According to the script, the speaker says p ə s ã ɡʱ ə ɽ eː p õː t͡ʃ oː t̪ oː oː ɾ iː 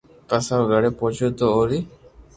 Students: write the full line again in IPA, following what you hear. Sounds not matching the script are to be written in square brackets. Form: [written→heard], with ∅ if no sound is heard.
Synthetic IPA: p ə s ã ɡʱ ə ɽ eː p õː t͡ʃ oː t̪ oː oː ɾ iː